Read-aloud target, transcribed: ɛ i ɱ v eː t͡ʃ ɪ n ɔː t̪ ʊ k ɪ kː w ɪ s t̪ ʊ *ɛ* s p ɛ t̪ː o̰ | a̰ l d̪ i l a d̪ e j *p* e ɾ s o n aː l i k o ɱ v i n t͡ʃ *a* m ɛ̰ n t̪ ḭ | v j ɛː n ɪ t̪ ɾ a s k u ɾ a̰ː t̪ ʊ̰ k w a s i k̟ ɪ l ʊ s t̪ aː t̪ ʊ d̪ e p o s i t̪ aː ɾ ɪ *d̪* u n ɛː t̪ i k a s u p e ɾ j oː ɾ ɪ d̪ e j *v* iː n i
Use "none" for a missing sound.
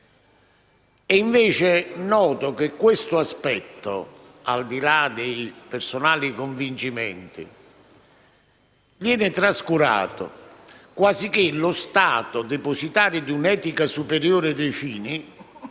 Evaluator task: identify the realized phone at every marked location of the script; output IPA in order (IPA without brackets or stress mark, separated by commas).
a, p, i, d̪, f